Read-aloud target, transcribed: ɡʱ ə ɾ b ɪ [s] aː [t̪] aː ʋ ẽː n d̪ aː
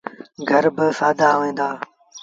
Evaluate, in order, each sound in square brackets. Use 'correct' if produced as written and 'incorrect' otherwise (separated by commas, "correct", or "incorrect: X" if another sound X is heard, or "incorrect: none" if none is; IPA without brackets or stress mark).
correct, incorrect: d̪